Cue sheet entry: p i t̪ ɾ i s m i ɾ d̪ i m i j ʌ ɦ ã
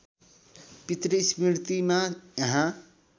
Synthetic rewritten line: p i t̪ ɾ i s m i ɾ t̪ i m a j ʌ ɦ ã